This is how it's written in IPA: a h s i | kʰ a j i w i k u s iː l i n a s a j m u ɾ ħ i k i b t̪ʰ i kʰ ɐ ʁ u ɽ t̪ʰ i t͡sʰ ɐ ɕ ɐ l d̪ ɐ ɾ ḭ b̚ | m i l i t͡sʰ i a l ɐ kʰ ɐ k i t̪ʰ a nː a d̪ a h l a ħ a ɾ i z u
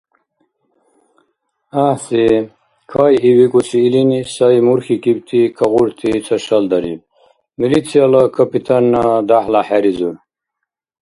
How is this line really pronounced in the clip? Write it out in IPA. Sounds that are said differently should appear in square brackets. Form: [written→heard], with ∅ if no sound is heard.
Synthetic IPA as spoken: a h s i | kʰ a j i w i k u s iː l i n [a→i] s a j m u ɾ [ħ→x] i k i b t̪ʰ i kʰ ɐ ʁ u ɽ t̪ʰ i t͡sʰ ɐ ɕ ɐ l d̪ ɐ ɾ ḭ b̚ | m i l i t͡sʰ i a l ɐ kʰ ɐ [k→p] i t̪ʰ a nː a d̪ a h l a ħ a ɾ i z u